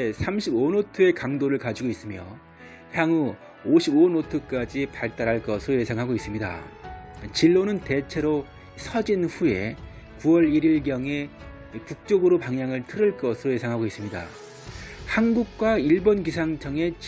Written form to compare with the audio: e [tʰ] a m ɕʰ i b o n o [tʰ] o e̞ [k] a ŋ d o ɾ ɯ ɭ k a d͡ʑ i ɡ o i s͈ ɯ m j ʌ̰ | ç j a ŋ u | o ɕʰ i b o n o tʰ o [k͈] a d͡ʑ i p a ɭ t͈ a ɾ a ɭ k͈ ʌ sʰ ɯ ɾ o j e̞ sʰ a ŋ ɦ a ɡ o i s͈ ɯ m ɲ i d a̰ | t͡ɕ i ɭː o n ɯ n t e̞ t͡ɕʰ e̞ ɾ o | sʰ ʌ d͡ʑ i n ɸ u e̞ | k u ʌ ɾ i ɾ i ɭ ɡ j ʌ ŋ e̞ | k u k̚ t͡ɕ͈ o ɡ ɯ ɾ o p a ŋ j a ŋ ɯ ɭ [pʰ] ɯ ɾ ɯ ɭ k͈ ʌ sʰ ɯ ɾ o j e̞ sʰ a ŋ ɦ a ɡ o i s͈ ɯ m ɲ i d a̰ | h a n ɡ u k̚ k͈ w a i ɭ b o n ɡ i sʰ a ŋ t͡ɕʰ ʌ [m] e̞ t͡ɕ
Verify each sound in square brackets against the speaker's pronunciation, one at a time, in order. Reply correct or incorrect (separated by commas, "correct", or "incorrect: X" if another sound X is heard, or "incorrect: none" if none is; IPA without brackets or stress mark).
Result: incorrect: sʰ, correct, correct, correct, incorrect: tʰ, incorrect: ŋ